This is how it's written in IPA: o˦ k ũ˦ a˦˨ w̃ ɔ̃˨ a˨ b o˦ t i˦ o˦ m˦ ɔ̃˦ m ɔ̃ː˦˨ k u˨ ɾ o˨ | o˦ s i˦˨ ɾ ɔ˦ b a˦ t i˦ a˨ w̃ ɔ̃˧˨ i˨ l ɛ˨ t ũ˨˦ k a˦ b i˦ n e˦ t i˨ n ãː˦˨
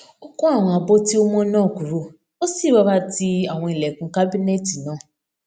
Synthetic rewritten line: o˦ k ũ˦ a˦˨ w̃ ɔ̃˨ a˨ b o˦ t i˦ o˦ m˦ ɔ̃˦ n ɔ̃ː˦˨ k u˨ ɾ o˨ | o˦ s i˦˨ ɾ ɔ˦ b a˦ t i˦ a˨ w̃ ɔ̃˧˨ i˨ l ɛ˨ k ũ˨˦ k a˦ b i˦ n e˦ t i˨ n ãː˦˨